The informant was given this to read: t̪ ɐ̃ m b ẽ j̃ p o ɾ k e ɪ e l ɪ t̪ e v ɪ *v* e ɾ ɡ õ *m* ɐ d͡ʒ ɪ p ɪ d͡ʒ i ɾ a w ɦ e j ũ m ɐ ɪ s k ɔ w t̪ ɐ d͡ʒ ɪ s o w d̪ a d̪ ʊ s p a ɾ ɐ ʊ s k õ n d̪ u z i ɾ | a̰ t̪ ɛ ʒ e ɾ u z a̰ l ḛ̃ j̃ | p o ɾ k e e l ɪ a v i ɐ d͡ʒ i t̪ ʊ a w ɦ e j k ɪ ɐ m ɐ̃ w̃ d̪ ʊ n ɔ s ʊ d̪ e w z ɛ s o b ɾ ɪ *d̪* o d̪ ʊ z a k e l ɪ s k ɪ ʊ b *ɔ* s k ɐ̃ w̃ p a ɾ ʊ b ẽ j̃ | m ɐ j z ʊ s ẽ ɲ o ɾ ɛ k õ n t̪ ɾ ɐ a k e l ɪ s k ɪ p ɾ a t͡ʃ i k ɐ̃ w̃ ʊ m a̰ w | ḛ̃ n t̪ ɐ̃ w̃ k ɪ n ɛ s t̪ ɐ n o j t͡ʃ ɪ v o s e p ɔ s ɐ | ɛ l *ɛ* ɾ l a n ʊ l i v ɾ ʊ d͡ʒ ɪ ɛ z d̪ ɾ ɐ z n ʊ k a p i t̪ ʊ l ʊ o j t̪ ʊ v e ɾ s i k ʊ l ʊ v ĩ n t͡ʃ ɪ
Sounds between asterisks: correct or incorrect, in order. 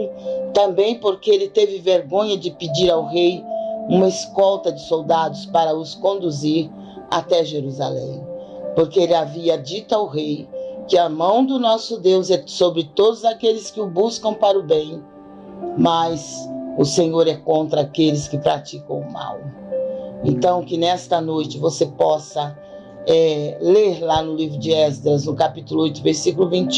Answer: correct, incorrect, incorrect, incorrect, incorrect

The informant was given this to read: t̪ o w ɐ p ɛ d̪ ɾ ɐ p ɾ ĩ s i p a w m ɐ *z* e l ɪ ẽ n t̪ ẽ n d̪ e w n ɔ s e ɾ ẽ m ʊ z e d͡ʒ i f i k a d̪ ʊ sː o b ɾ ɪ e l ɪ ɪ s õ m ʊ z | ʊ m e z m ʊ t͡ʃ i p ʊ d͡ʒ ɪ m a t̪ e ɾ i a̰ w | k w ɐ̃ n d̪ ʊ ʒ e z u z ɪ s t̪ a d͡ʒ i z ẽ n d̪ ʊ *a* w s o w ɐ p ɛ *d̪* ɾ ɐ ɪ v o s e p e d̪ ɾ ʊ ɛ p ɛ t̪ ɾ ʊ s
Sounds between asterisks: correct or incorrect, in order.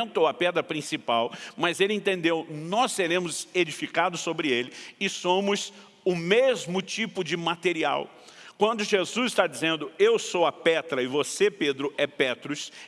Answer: correct, incorrect, incorrect

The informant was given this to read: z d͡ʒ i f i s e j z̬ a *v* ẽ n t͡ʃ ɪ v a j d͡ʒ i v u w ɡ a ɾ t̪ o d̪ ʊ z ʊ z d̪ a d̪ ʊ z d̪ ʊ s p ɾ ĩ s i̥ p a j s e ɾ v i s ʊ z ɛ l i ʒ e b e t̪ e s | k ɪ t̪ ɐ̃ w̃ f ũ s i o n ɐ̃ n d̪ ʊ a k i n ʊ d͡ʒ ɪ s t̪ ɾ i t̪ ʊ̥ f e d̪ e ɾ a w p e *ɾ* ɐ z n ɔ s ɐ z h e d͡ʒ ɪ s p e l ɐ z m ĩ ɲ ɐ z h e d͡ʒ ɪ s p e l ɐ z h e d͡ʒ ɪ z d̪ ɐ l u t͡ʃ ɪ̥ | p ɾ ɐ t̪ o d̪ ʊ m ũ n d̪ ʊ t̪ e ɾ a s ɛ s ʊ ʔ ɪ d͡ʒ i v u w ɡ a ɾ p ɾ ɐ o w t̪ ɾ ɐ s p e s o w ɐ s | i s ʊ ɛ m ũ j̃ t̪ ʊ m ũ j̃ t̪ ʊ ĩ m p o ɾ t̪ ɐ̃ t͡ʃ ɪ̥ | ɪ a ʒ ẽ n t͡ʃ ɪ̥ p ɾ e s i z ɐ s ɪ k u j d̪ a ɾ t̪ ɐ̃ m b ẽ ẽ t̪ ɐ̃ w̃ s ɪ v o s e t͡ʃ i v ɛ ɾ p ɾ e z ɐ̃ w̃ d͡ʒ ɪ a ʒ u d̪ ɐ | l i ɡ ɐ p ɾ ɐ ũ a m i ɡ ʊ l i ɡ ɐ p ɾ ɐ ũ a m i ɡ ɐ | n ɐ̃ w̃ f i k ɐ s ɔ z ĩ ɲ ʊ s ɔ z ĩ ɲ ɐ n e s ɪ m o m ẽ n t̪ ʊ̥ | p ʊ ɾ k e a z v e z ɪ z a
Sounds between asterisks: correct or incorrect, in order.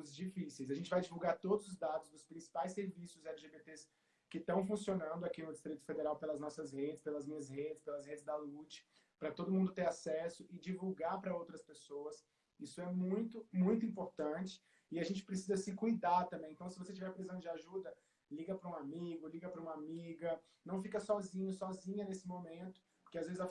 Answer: incorrect, incorrect

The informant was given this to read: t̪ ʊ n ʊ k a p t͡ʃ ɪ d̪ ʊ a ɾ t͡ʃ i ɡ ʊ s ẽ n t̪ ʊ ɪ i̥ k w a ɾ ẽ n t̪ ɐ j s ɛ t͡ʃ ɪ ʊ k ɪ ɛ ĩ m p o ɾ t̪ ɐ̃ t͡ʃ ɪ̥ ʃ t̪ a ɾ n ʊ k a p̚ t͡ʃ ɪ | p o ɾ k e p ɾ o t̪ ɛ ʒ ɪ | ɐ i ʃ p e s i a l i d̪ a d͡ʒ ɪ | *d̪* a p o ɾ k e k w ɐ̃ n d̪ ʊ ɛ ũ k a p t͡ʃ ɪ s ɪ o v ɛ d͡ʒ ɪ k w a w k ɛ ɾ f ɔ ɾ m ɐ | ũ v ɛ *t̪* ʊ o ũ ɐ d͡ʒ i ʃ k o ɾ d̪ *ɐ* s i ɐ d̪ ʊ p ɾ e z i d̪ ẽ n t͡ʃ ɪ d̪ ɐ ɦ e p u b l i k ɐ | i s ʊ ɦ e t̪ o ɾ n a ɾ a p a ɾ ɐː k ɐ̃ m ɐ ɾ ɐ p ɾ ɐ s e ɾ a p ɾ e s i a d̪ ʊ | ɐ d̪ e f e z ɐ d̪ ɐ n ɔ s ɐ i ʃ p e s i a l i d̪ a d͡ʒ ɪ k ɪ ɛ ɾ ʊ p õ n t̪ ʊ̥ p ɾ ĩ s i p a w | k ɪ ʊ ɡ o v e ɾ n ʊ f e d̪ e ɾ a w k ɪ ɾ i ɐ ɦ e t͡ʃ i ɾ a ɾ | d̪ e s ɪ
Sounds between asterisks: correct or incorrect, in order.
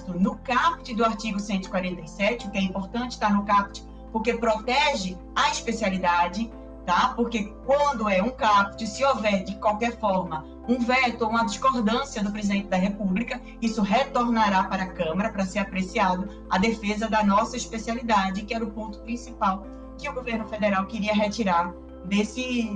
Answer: incorrect, correct, incorrect

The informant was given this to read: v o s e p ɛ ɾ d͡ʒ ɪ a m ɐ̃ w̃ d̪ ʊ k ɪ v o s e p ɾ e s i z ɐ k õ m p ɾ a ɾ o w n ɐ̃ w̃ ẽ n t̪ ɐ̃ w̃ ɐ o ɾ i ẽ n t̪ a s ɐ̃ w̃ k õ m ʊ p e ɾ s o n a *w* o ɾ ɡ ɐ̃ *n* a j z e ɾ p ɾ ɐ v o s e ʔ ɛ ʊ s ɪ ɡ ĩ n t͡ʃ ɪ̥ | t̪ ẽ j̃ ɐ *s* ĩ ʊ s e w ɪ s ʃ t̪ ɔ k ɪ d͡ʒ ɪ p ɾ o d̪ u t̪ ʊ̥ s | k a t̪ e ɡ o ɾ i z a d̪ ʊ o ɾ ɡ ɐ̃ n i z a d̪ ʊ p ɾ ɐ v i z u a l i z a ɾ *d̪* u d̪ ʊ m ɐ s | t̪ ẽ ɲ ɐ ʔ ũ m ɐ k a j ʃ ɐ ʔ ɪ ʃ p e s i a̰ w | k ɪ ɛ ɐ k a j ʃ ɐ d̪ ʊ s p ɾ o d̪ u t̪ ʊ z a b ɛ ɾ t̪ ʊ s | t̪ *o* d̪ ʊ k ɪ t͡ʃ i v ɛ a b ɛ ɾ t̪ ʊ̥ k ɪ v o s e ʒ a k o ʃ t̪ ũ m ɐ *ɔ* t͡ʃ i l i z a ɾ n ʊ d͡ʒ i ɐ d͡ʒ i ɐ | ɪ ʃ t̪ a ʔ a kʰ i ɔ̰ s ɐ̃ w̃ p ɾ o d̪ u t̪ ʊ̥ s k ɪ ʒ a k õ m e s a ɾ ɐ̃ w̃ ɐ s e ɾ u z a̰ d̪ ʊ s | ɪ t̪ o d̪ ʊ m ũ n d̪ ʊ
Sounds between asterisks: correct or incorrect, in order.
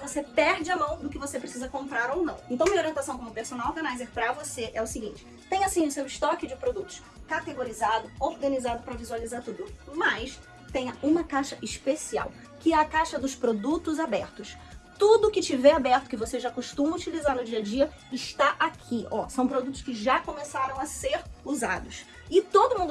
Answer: correct, correct, correct, incorrect, incorrect, incorrect

